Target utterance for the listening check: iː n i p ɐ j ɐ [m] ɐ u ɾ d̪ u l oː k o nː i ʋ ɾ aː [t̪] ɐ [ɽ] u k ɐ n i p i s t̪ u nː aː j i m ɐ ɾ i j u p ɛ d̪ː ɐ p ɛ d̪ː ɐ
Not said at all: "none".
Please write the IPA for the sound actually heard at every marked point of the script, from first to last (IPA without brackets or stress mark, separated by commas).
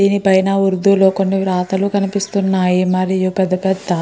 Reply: n, t̪, l